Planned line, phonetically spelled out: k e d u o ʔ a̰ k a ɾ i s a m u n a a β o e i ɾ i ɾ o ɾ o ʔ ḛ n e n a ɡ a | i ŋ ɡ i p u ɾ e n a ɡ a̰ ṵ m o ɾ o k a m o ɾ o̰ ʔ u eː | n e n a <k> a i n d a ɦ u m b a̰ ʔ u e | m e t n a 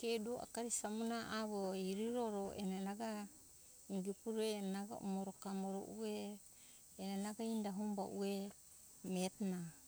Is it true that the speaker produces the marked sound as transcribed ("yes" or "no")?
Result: no